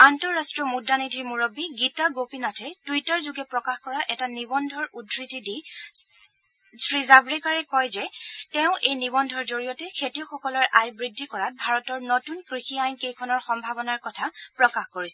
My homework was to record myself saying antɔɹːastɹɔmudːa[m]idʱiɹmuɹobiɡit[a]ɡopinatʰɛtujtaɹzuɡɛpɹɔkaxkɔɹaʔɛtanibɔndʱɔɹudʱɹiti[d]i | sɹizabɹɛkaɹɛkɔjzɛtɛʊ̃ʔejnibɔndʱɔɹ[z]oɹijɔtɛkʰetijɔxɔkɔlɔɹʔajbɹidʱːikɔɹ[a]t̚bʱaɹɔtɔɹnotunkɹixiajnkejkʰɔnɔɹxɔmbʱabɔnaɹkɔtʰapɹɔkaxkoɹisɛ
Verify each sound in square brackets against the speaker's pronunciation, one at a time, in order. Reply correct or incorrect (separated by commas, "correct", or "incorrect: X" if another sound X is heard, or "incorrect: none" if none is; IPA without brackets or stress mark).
incorrect: n, correct, correct, correct, correct